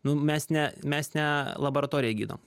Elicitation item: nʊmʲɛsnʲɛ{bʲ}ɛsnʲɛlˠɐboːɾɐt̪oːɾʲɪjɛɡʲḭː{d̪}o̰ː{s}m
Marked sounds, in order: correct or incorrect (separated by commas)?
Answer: incorrect, correct, incorrect